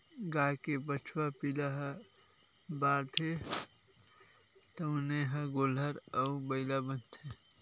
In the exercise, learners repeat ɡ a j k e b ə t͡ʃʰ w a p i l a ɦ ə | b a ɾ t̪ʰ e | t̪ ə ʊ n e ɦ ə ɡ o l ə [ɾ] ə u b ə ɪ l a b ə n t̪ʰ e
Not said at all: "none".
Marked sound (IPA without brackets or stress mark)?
ɾ